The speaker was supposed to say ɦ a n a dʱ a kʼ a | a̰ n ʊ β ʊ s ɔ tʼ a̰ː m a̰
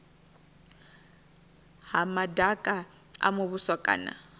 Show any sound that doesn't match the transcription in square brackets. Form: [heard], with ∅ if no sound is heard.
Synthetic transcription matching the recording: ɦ a [m] a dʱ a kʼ a | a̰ [m] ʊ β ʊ s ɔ [kʼ] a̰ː [n] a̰

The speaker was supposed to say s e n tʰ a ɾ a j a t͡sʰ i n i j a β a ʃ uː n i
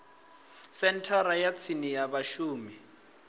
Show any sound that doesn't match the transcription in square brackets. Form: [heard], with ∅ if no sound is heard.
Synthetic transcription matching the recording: s [ɛ] n tʰ a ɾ a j a t͡sʰ i n i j a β a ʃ uː [m] i

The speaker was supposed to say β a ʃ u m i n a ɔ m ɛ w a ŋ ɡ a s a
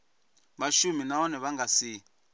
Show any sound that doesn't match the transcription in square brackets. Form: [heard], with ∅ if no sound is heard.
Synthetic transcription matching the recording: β a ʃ u m i n a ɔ [n] ɛ [β] a ŋ ɡ a s [i]

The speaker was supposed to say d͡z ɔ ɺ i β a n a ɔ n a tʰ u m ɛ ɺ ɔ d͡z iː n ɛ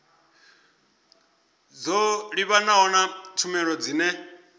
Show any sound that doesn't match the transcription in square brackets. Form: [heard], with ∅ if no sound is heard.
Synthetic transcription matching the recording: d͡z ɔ ɺ i β a n a ɔ n a tʰ u m ɛ ɺ ɔ d͡z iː n ɛ

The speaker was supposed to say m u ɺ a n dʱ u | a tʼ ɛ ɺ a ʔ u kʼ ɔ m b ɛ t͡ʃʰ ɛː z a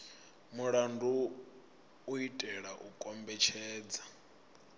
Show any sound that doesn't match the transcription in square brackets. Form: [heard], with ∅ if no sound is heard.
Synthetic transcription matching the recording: m u ɺ a n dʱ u | [i] tʼ ɛ ɺ a ʔ u kʼ ɔ m b ɛ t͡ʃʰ ɛː [d͡z] a

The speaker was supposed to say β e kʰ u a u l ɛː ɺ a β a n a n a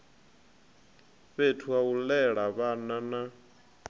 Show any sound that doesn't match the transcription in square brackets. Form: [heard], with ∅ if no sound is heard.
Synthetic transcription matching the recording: β e [tʰ] u a u l [ɛ] ɺ a β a n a n a

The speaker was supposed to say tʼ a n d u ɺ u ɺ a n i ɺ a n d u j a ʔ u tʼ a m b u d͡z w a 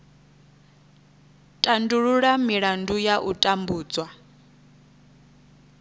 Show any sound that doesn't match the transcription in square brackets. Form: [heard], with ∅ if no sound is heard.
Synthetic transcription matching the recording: tʼ a n d u ɺ u ɺ a [m] i ɺ a n d u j a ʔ u tʼ a m b [uː] d͡z w a

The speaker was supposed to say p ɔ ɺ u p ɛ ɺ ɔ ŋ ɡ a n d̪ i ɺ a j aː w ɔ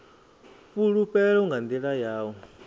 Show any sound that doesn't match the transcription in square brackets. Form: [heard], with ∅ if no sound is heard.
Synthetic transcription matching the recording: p [u] ɺ u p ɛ ɺ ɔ ŋ ɡ a n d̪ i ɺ a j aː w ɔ

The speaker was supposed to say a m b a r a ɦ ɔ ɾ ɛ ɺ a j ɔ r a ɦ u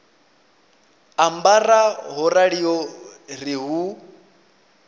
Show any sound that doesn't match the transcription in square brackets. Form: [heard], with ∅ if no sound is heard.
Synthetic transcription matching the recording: a m b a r a ɦ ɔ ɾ [a] ɺ [i] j ɔ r [i] ɦ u

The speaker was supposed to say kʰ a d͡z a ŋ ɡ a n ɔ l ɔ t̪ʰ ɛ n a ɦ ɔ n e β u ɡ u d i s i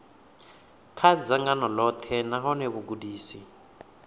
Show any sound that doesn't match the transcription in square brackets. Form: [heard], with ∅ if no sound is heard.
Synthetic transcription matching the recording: kʰ a d͡z a ŋ ɡ a n ɔ l ɔ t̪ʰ ɛ n a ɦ ɔ n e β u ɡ u d [iː] s i

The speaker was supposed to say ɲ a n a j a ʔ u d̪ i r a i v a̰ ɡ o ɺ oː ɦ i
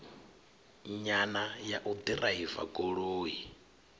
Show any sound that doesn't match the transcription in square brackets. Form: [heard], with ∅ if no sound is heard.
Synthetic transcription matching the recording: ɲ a n a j a ʔ u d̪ i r a i v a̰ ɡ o ɺ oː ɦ i

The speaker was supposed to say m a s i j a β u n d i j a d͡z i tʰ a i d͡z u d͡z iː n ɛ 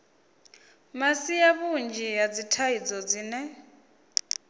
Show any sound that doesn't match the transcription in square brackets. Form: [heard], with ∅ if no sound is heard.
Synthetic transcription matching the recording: m a s i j a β u n [d͡ʒ] i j a d͡z i tʰ a i d͡z [ɔ] d͡z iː n ɛ

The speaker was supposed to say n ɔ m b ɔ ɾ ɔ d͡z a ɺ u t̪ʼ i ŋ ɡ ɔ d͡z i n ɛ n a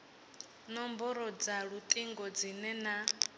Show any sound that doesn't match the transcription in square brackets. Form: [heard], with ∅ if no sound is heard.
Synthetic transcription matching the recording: n ɔ m b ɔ ɾ ɔ d͡z a ɺ u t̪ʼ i ŋ ɡ ɔ d͡z i n ɛ n a

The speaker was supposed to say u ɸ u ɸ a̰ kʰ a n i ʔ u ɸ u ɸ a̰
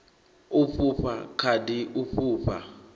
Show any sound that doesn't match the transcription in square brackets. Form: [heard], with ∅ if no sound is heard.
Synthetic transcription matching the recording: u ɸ u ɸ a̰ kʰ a [d] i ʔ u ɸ [uː] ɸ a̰

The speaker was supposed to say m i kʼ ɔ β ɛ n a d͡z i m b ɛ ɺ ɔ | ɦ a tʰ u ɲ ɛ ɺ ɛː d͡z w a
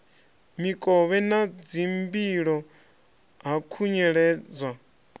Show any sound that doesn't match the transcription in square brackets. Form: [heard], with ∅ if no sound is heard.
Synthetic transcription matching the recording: m i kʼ ɔ β ɛ n a d͡z i m b [i] ɺ ɔ | ɦ a [kʰ] u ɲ ɛ ɺ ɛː d͡z w a

